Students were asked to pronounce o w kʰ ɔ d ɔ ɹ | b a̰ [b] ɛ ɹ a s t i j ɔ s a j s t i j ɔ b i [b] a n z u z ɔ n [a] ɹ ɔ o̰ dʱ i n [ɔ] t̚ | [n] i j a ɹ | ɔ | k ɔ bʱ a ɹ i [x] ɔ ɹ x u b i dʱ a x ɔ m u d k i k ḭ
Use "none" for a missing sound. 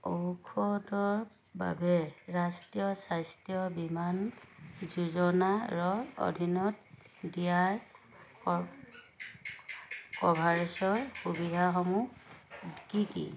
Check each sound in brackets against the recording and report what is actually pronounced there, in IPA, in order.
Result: b, m, a, ɔ, d, s

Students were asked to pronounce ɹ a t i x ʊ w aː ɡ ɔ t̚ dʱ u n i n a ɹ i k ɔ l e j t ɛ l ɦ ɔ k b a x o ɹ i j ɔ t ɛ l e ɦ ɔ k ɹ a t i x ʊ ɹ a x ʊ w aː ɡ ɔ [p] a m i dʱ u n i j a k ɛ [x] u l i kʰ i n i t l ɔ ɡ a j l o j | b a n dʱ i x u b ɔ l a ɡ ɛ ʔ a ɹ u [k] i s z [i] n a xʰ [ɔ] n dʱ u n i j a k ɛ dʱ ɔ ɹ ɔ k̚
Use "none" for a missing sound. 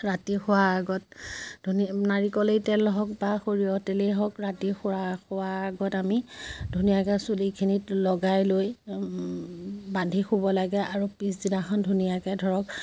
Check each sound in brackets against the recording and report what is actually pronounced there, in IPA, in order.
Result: t, s, p, i, ɔ

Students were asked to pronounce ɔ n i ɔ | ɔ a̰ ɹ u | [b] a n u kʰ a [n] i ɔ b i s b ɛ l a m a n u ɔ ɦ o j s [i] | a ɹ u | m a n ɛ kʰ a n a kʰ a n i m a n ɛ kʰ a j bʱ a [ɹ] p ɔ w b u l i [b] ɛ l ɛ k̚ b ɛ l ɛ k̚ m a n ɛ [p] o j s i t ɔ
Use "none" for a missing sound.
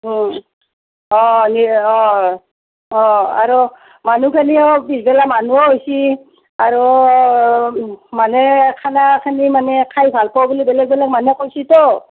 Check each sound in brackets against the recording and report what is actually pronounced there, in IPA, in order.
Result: m, n, i, l, b, k

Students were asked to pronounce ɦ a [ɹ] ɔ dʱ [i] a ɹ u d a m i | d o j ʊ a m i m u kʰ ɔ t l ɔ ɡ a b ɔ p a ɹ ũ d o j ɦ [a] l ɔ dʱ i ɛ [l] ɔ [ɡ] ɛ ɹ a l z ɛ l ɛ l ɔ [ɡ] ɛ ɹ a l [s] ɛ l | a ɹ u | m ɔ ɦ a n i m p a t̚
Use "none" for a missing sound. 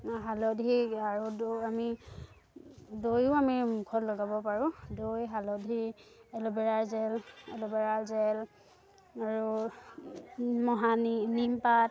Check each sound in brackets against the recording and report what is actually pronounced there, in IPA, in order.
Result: l, i, a, l, b, b, z

